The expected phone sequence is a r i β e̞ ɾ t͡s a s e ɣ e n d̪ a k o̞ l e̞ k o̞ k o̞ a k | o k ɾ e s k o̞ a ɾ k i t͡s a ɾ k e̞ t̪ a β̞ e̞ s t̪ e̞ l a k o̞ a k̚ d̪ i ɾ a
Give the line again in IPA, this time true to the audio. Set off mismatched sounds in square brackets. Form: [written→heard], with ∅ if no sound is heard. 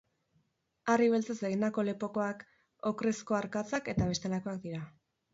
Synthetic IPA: a r i β e̞ [ɾ→l] t͡s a s e ɣ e n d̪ a k o̞ l e̞ [k→p] o̞ k o̞ a k | o k ɾ e s k o̞ a ɾ k [i→a] t͡s a [ɾ→∅] k e̞ t̪ a β̞ e̞ s t̪ e̞ l a k o̞ a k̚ d̪ i ɾ a